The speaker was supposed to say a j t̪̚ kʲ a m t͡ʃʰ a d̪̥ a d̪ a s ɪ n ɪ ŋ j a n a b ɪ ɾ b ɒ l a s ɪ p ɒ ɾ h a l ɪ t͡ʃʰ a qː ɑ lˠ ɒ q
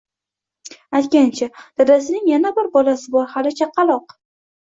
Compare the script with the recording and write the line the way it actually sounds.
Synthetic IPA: a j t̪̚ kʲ a n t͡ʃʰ a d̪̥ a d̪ a s ɪ n ɪ ŋ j a n a b ɪ ɾ b ɒ l a s ɪ b ɒ ɾ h a l ɪ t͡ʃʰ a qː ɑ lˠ ɒ q